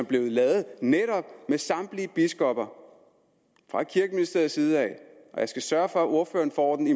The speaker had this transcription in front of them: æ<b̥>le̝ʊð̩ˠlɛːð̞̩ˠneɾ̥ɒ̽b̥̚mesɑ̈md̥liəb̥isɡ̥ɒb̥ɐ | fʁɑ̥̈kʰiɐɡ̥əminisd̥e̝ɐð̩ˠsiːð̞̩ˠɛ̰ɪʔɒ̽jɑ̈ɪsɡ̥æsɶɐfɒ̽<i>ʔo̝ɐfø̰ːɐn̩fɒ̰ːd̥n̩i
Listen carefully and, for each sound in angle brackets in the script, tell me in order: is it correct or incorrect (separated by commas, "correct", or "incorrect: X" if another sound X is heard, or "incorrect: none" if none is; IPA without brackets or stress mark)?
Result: correct, incorrect: æ